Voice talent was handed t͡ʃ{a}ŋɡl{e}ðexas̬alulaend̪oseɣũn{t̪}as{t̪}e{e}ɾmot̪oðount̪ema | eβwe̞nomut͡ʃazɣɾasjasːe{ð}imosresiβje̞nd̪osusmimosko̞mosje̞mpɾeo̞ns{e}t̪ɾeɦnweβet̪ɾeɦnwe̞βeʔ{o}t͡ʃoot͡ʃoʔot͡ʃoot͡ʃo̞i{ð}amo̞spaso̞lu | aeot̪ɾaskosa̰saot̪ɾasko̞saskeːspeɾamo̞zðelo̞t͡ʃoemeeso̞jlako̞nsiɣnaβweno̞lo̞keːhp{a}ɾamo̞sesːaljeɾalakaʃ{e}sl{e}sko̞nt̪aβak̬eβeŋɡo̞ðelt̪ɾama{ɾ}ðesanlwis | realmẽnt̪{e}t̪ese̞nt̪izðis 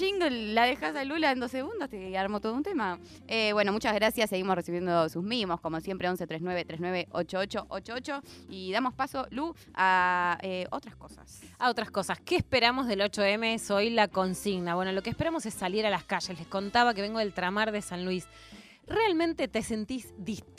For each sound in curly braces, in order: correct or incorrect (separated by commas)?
incorrect, incorrect, incorrect, correct, incorrect, incorrect, correct, correct, correct, incorrect, correct, correct, correct, correct